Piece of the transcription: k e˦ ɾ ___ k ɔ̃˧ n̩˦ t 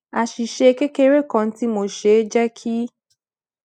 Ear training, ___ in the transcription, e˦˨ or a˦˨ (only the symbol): e˦˨